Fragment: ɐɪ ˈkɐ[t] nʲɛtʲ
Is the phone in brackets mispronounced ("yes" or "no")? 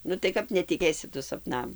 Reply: yes